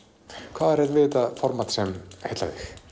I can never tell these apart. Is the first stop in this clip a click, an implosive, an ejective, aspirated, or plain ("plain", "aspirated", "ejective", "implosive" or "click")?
aspirated